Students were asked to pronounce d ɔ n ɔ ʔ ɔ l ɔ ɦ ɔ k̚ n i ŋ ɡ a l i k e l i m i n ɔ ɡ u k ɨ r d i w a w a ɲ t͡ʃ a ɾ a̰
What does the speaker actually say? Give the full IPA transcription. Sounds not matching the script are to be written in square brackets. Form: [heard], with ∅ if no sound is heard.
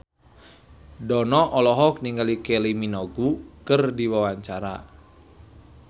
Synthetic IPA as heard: d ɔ n ɔ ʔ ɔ l ɔ ɦ ɔ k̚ n i ŋ ɡ a l i k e l i m i n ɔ ɡ u k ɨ r d i w a w a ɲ t͡ʃ a ɾ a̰